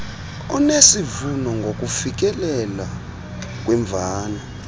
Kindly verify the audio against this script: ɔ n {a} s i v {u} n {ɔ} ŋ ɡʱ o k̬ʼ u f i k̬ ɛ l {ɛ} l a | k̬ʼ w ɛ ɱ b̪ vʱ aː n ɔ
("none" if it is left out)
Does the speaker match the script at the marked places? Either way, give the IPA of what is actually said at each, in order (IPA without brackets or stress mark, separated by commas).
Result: e, u, ɔ, ɛ